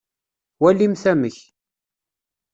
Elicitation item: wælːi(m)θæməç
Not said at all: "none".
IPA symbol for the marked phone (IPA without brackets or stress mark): m